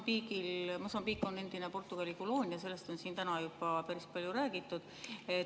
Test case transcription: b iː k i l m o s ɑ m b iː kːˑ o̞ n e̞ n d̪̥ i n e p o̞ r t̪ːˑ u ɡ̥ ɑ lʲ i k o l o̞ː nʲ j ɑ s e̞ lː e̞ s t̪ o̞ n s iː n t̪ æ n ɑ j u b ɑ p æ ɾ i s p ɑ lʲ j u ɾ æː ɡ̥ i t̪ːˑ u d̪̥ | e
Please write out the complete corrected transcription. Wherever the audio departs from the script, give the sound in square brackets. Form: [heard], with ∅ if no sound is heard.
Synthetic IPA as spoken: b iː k i l m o s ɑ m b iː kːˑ o̞ n e̞ n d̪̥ i n e p o̞ r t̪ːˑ u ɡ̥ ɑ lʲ i k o l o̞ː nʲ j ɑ s e̞ lː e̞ s t̪ o̞ n s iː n t̪ æ n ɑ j u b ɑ p æ ɾ i s p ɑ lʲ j u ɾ æː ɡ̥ i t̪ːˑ u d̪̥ | e